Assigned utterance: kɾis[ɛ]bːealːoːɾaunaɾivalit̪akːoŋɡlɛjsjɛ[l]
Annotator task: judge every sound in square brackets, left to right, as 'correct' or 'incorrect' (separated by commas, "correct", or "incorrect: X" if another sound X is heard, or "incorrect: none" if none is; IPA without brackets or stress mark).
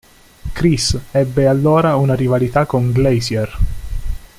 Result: correct, incorrect: r